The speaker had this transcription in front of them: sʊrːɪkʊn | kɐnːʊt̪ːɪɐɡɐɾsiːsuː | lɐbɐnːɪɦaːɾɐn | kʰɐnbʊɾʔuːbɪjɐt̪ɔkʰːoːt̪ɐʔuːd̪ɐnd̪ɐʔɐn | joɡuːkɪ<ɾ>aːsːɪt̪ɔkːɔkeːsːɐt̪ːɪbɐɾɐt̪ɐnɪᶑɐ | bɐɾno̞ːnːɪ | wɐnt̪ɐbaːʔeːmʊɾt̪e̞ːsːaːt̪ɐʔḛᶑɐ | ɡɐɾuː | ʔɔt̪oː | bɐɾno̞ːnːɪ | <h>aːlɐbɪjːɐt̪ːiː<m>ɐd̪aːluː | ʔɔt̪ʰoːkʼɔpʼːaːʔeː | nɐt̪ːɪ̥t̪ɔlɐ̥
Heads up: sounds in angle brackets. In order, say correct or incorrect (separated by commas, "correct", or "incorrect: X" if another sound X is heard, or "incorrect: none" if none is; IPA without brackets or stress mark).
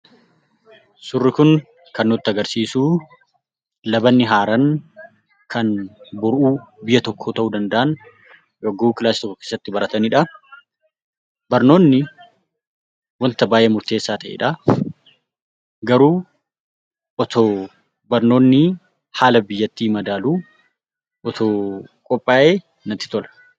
incorrect: l, correct, correct